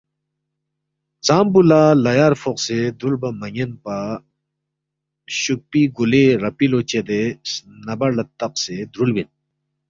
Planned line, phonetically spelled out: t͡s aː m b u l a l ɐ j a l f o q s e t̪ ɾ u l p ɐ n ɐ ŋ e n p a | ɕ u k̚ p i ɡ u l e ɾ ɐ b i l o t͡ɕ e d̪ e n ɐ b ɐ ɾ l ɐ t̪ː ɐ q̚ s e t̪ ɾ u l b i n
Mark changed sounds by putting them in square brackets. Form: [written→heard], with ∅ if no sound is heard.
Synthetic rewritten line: t͡s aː m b u l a l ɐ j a [l→ɾ] f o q s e [t̪→d̪] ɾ u l [p→b] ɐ [n→m] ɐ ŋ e n p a | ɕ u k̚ p i ɡ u l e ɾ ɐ [b→p] i l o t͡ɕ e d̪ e n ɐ b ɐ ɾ l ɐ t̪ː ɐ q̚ s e [t̪→d̪] ɾ u l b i n